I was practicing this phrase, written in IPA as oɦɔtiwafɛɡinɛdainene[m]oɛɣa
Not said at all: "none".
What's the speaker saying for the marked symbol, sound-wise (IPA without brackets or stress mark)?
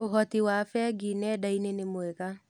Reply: m